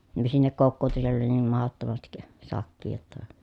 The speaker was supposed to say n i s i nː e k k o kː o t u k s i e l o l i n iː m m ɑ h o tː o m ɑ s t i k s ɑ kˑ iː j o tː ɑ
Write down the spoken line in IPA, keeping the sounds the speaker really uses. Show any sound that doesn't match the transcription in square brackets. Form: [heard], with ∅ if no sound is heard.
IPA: n i s i nː e k k o kː [oː] t u [∅] s i e [lː] o l i n iː m m ɑ h o tː o m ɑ s t i k s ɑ kˑ iː j o tː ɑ